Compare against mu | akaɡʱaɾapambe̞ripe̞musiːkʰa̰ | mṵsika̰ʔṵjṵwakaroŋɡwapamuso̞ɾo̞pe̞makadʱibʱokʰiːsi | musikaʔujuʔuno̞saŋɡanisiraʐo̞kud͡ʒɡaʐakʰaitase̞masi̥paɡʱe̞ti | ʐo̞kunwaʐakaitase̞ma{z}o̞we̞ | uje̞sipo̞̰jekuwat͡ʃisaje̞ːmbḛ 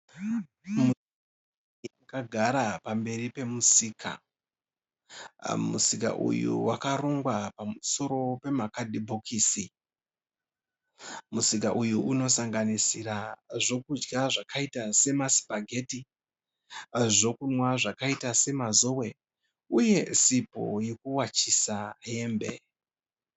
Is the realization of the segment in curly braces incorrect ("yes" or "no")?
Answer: no